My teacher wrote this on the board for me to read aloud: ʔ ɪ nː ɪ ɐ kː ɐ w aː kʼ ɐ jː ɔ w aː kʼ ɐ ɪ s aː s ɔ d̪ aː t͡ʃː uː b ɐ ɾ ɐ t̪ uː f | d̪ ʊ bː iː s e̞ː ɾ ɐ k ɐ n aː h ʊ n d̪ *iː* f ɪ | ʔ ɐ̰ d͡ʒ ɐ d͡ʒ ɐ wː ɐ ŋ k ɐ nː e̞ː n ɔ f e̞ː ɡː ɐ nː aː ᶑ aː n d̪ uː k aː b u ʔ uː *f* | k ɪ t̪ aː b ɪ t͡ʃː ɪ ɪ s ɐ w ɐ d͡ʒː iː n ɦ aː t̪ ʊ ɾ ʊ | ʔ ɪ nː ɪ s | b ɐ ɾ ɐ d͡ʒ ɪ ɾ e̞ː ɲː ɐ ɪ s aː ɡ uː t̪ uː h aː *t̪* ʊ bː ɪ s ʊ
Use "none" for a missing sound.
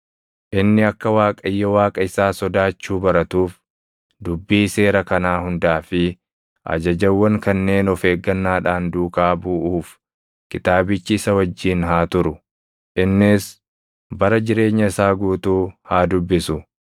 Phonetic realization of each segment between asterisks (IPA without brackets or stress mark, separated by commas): aː, f, d̪